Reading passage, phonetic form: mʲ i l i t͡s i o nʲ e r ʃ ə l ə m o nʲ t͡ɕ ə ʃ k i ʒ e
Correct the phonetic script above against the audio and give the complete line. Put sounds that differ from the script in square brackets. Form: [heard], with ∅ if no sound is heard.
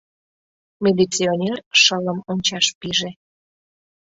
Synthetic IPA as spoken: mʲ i l i t͡s i o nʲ e r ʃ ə l ə m o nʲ t͡ɕ [ɑ] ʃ [p] i ʒ e